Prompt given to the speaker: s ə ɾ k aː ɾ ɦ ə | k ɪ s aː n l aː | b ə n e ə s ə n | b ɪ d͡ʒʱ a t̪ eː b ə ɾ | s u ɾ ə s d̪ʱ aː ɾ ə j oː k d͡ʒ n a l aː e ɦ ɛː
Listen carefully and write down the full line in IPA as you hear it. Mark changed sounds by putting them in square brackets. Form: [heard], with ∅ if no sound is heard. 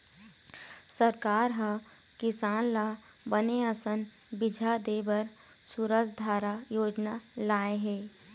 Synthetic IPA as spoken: s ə ɾ k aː ɾ ɦ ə | k ɪ s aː n l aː | b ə n e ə s ə n | b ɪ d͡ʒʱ a [d̪] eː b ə ɾ | s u ɾ ə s d̪ʱ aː ɾ [a] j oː [∅] d͡ʒ n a l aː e ɦ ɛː